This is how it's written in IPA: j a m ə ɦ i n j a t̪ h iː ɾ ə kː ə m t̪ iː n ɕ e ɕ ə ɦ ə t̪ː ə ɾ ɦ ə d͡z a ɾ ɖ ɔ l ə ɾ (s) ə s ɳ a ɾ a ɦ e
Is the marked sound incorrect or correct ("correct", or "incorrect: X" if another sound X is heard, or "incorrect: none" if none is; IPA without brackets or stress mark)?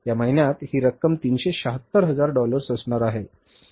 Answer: correct